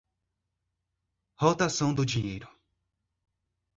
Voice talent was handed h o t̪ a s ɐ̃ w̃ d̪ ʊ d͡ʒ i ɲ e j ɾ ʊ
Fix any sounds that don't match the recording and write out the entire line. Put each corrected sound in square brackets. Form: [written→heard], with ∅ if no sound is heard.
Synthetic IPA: h o t̪ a s ɐ̃ w̃ d̪ ʊ d͡ʒ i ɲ e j ɾ ʊ

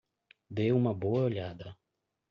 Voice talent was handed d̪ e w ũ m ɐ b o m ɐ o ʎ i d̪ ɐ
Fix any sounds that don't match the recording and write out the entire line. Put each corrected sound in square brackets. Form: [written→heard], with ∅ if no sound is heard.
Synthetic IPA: d̪ e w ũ m ɐ b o [m→∅] ɐ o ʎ [i→a] d̪ ɐ

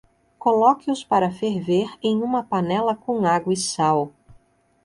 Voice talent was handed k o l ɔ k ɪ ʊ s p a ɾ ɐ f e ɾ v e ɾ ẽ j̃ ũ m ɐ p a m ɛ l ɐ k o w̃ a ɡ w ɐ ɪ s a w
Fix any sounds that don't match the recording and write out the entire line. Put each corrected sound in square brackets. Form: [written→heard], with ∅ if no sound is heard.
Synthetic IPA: k o l ɔ k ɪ ʊ s p a ɾ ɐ f e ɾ v e ɾ ẽ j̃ ũ m ɐ p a [m→n] ɛ l ɐ k [o→õ] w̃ a ɡ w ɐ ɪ s a w

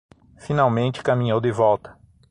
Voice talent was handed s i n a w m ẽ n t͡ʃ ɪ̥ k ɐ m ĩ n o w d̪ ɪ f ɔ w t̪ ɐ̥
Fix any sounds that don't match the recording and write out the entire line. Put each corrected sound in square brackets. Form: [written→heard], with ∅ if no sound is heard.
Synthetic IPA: [s→f] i n a w m ẽ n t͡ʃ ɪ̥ k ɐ m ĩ [n→ɲ] o w d̪ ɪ [f→v] ɔ w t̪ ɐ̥

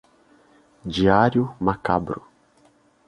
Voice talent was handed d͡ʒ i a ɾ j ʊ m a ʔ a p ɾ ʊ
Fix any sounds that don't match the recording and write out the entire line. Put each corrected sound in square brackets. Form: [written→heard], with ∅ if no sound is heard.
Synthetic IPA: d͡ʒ i a ɾ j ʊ m a [ʔ→k] a [p→b] ɾ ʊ

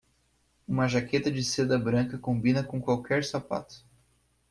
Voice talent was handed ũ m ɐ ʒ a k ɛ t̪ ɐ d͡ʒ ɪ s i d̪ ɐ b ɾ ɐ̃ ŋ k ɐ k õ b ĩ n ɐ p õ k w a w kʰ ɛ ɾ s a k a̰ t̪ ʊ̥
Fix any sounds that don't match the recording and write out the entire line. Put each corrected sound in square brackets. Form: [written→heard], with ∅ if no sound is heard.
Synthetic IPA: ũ m ɐ ʒ a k [ɛ→e] t̪ ɐ d͡ʒ ɪ s [i→e] d̪ ɐ b ɾ ɐ̃ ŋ k ɐ k õ b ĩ n ɐ [p→k] õ k w a w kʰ ɛ ɾ s a [k→p] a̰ t̪ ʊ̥

